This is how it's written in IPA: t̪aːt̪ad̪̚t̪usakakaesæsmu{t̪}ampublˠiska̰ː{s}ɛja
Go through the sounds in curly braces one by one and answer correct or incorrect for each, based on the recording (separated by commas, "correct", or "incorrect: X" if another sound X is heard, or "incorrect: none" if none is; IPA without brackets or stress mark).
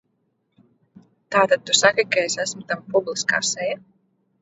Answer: correct, correct